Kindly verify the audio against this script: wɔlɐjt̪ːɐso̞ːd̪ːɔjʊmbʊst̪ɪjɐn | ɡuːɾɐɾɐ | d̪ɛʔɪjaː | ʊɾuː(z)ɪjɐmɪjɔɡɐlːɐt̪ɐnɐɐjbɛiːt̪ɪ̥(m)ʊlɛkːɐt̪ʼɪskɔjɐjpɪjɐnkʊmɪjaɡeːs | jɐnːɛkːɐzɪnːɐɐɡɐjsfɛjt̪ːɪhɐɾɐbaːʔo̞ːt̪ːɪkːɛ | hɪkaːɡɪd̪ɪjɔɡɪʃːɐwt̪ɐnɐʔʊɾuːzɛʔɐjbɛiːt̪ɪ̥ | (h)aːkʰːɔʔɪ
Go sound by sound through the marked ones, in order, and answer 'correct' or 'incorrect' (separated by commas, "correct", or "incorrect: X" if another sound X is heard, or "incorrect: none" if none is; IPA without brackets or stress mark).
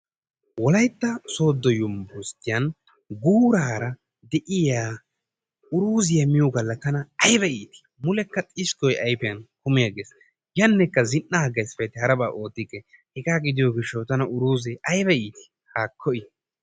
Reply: correct, correct, correct